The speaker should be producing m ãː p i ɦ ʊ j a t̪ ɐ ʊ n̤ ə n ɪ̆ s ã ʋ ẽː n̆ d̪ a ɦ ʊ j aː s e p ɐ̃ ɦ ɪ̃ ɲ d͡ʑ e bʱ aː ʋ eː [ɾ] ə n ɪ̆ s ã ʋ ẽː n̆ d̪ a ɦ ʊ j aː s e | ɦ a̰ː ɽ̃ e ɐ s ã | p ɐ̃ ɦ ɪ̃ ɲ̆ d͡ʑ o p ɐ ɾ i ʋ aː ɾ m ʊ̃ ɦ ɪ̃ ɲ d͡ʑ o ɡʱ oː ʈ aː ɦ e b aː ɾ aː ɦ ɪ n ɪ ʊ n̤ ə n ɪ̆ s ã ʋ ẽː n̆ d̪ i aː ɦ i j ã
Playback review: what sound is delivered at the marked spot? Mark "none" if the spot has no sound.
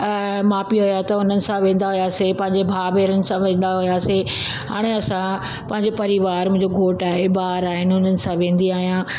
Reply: ɾ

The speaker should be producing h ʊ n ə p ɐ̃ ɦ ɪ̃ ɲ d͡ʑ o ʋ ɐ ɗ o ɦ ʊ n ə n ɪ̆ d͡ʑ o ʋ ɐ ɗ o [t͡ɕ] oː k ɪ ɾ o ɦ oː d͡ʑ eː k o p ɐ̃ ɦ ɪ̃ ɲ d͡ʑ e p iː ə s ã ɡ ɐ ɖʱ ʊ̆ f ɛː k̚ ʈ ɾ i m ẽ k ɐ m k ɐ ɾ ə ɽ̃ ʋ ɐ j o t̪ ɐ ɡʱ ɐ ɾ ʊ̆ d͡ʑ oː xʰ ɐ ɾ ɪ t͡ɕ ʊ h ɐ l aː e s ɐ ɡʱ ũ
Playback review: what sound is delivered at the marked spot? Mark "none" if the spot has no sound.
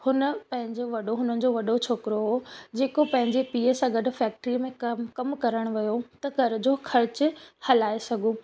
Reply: t͡ɕʰ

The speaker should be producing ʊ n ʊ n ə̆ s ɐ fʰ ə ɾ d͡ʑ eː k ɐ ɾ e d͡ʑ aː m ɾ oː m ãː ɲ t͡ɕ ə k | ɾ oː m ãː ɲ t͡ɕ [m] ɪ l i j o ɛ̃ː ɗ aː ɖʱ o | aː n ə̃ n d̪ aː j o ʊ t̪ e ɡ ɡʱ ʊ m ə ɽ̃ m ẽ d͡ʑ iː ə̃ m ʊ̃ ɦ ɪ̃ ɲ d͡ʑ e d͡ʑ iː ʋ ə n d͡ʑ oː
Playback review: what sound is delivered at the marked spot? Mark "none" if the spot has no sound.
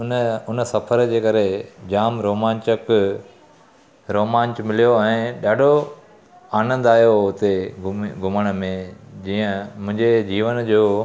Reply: m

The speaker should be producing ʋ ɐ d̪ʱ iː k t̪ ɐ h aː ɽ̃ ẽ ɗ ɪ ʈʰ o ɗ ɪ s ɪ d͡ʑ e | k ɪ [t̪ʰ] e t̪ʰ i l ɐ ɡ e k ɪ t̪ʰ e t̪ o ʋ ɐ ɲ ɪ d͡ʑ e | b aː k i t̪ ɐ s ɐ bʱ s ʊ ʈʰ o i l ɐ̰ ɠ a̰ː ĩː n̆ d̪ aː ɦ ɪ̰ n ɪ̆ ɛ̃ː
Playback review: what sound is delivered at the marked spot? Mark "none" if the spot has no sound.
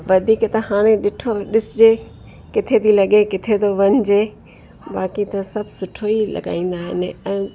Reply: t̪ʰ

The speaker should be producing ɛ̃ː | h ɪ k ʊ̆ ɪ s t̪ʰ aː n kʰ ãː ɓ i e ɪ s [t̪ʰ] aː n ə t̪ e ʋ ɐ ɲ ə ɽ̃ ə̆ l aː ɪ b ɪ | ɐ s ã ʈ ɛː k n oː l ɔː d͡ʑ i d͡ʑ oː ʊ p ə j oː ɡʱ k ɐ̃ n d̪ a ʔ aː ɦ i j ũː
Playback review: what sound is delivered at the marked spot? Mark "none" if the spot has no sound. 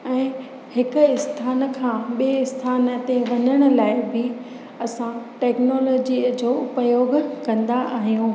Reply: t̪ʰ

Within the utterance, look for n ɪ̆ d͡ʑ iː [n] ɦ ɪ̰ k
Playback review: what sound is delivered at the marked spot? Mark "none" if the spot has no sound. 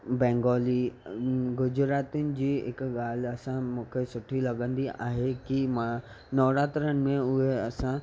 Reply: none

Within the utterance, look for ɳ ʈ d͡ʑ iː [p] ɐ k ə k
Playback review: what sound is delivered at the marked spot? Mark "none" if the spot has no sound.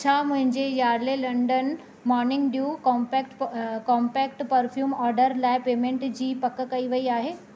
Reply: p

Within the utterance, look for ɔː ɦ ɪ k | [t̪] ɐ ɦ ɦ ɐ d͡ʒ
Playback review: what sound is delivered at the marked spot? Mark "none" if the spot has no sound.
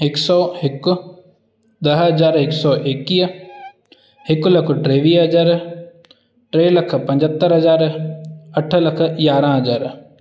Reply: d̪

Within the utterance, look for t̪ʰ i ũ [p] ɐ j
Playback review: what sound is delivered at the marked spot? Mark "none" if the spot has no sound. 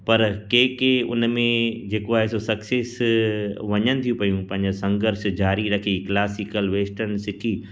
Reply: p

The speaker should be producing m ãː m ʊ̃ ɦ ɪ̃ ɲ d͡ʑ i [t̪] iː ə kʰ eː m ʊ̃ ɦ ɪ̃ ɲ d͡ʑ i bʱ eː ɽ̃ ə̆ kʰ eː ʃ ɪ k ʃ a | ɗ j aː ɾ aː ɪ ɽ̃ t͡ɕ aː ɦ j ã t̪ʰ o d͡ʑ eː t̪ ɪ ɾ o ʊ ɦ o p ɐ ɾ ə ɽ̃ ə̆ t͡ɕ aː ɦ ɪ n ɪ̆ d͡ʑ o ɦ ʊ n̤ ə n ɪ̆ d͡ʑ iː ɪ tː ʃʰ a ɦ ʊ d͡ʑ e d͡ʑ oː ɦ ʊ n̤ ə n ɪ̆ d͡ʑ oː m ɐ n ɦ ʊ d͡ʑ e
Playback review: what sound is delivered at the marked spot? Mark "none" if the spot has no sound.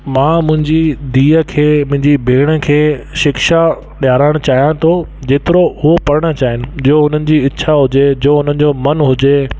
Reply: d̪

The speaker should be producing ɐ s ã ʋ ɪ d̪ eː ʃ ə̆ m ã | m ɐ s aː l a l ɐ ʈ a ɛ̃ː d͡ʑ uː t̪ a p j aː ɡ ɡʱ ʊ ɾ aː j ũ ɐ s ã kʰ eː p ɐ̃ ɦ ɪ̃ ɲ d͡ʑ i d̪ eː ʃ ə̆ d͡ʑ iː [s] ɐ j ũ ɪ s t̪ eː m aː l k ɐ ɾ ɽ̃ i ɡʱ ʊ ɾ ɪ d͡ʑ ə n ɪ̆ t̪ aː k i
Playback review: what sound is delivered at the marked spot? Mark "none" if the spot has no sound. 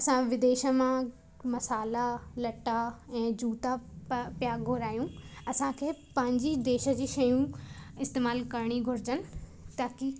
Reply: ʃ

